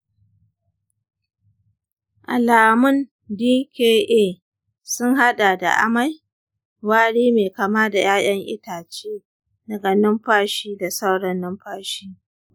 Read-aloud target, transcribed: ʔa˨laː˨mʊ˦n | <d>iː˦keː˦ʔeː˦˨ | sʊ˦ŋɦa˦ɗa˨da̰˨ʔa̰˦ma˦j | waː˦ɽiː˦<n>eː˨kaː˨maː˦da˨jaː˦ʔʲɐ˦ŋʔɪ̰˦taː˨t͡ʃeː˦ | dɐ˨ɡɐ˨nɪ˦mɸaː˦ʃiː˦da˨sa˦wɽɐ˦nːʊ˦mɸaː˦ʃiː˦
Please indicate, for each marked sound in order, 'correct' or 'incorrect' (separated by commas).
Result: correct, incorrect